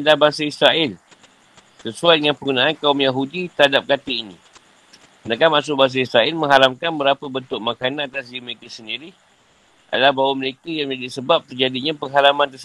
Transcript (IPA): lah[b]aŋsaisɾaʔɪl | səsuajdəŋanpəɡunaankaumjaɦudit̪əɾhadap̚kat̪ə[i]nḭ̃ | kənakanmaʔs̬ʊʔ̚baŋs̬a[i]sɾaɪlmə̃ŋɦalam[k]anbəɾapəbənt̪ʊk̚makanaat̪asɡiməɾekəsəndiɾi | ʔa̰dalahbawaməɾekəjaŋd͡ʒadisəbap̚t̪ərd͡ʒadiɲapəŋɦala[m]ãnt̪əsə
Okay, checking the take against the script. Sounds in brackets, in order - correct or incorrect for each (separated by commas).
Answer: correct, correct, correct, correct, correct